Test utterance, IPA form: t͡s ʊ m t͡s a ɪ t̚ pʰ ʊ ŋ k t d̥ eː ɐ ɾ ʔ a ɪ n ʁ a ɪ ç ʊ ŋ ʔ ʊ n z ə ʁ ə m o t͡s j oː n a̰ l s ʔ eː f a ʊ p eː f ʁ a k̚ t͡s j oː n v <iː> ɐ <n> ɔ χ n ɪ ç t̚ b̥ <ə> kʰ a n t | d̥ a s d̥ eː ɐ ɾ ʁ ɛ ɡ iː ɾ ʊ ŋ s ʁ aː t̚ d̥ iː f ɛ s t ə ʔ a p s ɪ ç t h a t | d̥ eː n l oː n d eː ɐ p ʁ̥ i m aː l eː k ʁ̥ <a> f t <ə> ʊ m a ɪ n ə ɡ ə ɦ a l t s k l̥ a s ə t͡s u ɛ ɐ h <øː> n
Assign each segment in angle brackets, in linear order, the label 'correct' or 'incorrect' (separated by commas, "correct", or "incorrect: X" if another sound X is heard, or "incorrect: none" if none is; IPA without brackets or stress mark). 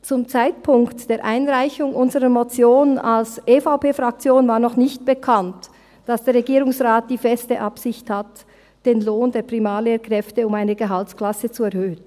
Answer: incorrect: aː, correct, correct, incorrect: ɛ, correct, correct